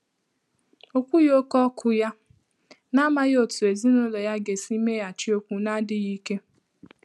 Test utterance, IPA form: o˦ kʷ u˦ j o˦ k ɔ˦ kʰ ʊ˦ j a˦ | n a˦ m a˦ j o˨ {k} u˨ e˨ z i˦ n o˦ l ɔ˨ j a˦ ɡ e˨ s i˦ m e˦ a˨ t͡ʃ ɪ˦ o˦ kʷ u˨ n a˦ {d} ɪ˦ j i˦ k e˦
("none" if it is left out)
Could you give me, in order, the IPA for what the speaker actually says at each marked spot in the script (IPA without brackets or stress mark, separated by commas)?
t, d